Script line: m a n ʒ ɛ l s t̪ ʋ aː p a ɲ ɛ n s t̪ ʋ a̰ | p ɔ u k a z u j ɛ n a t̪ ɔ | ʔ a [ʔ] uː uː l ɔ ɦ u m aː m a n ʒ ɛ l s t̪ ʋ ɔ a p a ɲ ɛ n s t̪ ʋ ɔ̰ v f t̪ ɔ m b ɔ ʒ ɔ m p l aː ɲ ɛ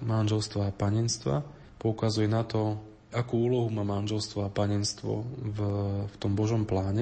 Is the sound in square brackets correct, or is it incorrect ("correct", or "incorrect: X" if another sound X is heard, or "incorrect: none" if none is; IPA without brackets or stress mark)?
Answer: incorrect: k